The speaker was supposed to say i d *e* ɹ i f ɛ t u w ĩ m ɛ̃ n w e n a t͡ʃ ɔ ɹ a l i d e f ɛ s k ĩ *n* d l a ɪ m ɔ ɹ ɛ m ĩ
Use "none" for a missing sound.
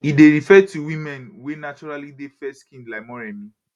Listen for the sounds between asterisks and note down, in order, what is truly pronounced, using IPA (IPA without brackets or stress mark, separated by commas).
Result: e, n